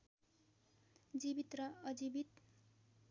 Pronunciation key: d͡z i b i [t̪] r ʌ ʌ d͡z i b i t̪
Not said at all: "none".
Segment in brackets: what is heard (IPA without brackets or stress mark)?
t̪